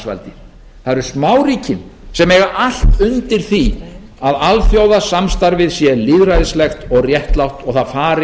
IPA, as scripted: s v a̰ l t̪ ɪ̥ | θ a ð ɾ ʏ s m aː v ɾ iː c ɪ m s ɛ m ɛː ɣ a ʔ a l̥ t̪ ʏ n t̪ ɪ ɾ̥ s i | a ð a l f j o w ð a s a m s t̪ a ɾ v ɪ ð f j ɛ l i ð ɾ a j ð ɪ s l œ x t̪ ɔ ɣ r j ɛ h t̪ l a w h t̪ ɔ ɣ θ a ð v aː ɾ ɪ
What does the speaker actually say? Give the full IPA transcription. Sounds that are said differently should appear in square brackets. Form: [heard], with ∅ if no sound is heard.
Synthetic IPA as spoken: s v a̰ l t̪ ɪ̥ | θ a ð ɾ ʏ s m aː [w] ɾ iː c ɪ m s ɛ m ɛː ɣ a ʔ a l̥ t̪ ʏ n t̪ ɪ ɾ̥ [θ] i | a ð a l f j o w ð a s a m s t̪ a ɾ v ɪ ð [s] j ɛ l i ð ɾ a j ð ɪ s l [ɛ] x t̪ ɔ ɣ r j ɛ h t̪ l a w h t̪ ɔ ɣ θ a ð [f] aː ɾ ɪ